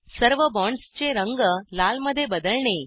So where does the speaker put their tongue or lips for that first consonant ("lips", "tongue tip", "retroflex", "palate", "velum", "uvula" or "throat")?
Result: tongue tip